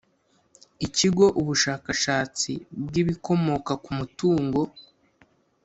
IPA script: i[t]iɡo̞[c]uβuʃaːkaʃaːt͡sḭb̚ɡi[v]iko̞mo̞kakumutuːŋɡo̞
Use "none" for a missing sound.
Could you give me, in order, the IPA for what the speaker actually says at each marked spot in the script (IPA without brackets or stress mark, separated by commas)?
c, ʔ, β